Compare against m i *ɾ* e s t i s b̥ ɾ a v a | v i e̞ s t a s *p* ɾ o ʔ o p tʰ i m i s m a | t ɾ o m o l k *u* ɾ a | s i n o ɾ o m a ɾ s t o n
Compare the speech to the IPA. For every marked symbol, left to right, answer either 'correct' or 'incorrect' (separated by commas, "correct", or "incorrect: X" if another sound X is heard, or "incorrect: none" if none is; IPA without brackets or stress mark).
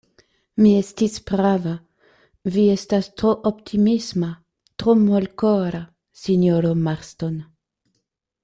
incorrect: none, incorrect: t, incorrect: o